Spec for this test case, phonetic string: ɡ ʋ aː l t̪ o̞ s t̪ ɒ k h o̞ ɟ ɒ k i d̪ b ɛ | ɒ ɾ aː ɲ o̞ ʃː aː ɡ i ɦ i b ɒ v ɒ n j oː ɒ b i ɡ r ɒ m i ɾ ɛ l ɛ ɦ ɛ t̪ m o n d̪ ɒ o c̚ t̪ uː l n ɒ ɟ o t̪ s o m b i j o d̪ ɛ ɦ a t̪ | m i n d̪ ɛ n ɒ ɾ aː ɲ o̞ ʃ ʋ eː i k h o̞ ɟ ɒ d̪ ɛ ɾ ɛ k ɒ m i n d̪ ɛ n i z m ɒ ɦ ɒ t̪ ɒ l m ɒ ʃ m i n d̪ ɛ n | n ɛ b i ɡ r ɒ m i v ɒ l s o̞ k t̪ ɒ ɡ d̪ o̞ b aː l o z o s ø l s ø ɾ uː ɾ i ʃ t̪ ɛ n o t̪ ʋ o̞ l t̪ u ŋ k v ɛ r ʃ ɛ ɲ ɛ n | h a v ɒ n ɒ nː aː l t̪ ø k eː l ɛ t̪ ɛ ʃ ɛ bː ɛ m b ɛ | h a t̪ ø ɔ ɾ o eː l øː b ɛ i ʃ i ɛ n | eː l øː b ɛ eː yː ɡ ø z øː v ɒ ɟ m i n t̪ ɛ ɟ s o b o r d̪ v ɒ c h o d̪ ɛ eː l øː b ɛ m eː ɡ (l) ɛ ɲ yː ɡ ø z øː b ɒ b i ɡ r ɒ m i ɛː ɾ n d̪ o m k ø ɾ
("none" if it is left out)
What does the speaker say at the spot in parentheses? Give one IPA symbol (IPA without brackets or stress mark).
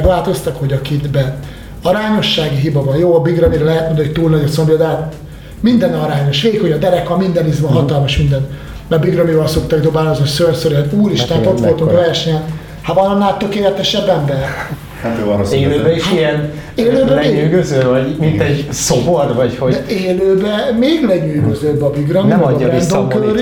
l